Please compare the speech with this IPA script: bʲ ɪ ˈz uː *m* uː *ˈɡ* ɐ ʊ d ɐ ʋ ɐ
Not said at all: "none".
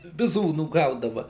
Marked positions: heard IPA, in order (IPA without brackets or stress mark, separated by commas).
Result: n, ɡ